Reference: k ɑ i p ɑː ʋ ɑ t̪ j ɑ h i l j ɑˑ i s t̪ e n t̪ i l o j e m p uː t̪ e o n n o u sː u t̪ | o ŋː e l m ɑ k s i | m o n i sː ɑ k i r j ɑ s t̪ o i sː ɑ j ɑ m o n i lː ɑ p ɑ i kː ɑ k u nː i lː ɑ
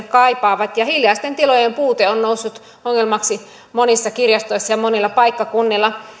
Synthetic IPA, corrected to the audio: k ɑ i p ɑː ʋ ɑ t̪ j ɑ h i l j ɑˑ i s t̪ e n t̪ i l o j e m p uː t̪ e o n n o u sː u t̪ | o ŋː e l m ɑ k s i | m o n i sː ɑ k i r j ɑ s t̪ o i sː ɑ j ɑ m o n i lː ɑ p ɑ i kː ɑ k u nː i lː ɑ